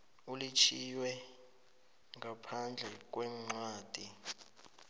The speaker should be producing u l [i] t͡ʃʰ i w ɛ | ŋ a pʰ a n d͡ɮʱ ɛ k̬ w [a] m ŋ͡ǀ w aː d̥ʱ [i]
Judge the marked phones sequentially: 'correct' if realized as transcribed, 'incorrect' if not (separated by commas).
correct, incorrect, correct